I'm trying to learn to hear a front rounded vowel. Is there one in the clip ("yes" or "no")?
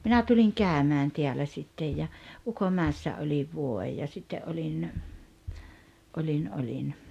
yes